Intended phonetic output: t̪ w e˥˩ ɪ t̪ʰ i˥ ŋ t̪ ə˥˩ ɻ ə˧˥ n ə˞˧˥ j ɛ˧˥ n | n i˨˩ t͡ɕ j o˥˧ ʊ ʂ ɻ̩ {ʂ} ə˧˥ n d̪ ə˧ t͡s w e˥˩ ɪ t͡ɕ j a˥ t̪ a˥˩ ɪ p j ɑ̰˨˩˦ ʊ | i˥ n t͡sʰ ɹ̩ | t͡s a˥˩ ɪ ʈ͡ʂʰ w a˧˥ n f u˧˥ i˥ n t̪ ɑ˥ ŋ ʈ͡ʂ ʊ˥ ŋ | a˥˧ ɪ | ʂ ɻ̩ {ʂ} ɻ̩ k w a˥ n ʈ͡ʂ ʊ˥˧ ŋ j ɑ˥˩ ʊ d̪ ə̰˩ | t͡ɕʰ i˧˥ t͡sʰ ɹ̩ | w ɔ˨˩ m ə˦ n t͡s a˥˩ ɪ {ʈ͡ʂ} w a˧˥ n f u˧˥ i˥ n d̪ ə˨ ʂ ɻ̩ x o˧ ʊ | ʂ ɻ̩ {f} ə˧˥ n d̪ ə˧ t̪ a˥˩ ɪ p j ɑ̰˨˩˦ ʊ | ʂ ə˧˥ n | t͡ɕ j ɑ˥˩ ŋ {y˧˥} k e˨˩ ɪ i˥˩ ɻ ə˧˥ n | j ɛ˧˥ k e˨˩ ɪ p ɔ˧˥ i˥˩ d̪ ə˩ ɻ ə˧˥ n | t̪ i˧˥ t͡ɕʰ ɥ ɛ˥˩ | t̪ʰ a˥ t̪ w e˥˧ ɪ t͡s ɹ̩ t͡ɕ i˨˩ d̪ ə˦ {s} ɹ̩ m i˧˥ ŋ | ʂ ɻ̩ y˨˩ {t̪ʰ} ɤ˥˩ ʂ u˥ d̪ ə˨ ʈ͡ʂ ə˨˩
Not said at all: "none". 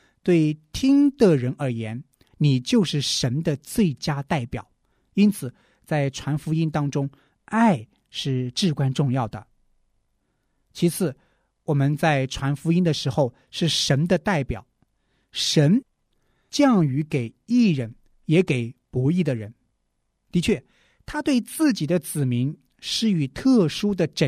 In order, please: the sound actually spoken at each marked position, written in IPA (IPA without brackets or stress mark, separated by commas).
ʂ, ʈ͡ʂ, ʈ͡ʂʰ, ʂ, y˧˥, t͡s, t̪ʰ